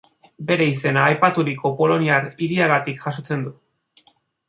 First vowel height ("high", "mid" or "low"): mid